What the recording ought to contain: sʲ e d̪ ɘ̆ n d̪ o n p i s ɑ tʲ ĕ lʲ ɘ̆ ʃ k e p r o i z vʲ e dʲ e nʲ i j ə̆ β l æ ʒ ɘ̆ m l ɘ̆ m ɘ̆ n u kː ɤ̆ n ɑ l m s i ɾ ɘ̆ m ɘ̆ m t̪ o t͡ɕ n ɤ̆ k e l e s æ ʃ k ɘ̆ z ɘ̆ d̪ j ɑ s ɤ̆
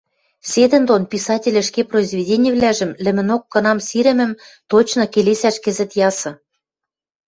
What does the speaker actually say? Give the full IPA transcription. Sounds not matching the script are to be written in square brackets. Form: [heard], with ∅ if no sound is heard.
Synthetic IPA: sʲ e d̪ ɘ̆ n d̪ o n p i s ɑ tʲ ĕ lʲ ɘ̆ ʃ k e p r o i z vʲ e dʲ e nʲ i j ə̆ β l æ ʒ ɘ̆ m l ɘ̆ m ɘ̆ n [o] kː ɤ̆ n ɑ [∅] m s i ɾ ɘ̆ m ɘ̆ m t̪ o t͡ɕ n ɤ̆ k e l e s æ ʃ k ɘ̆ z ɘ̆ [t̪] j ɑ s ɤ̆